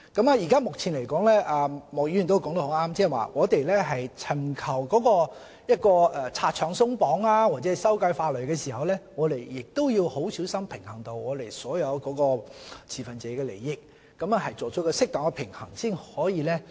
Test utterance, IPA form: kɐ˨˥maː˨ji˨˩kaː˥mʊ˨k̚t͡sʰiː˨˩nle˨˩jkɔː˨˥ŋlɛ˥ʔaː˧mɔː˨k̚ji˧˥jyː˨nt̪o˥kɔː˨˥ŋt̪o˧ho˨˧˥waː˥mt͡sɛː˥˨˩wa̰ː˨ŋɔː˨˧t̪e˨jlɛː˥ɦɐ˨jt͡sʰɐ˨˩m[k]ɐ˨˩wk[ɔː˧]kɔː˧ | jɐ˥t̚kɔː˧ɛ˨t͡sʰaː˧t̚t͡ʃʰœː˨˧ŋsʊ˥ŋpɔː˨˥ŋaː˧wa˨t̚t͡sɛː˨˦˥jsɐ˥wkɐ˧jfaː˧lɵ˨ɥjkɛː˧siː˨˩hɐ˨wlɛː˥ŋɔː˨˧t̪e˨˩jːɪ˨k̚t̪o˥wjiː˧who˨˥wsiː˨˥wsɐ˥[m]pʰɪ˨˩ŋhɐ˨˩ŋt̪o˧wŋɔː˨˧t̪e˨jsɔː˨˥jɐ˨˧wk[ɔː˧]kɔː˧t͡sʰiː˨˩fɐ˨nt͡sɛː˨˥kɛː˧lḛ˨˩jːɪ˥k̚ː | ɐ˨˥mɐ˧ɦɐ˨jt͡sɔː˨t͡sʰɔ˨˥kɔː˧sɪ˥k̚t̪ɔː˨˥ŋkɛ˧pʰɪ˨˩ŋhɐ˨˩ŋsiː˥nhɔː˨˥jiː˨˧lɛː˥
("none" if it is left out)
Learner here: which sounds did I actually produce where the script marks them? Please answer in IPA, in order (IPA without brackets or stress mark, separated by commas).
kʰ, ɔː˨˥, m, ɔː˨˥